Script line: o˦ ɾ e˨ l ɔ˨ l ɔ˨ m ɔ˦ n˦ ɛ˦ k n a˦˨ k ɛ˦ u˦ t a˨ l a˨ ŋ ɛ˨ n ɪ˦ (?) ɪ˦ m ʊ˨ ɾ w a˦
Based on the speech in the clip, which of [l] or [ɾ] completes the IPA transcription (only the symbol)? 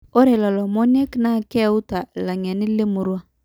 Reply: l